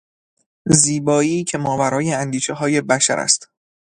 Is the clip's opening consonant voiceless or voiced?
voiced